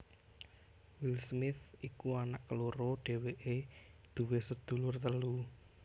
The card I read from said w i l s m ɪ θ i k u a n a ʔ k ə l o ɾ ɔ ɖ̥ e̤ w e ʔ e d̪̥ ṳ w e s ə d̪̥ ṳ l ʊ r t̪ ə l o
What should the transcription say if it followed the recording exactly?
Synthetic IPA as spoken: w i l s m ɪ θ i k u a n a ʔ k ə l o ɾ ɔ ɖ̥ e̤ w e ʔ e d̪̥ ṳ w e s ə d̪̥ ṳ l ʊ r t̪ ə l u